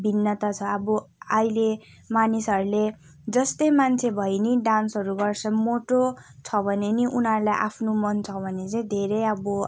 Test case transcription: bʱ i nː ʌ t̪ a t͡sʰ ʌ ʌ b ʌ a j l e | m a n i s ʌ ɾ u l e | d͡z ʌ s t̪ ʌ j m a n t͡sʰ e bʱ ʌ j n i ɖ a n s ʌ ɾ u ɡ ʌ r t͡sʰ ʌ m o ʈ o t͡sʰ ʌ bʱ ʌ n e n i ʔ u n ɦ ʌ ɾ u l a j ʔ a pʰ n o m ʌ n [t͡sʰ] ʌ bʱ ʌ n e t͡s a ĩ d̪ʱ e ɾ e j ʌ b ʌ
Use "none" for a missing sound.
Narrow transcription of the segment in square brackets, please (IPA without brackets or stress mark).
t͡sʰ